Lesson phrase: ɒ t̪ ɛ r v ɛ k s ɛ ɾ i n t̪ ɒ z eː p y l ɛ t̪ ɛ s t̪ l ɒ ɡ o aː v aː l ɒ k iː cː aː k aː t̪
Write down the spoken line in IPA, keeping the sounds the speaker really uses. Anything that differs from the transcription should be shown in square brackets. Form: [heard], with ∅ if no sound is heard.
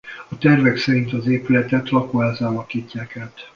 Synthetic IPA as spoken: ɒ t̪ ɛ r v ɛ k s ɛ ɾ i n t̪ ɒ z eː p y l ɛ t̪ ɛ [∅] t̪ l ɒ [k] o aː [z] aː l ɒ k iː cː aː k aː t̪